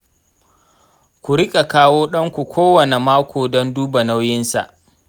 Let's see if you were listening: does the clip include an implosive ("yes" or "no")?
yes